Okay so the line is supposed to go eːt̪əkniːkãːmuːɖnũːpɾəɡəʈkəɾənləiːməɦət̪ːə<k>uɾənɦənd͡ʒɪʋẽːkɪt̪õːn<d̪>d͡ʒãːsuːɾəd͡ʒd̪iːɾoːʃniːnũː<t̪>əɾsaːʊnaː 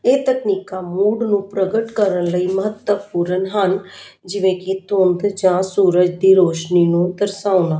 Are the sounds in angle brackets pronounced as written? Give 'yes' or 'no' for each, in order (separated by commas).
no, yes, no